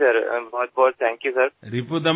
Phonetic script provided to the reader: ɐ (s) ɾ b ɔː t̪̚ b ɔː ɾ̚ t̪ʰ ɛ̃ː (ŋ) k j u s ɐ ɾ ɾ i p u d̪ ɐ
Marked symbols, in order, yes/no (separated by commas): no, yes